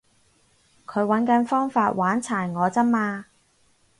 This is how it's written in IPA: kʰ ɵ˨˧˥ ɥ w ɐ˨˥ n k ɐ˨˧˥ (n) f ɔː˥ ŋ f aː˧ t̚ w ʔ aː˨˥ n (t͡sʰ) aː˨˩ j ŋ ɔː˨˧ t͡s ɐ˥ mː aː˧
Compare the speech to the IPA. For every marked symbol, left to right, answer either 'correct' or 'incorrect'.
correct, correct

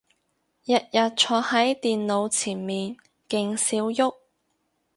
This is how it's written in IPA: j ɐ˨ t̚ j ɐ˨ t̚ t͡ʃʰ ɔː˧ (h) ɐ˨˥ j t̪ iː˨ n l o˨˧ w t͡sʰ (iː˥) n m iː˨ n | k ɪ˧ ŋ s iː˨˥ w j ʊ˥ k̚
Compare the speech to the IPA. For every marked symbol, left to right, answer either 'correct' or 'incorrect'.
correct, incorrect: iː˨˩

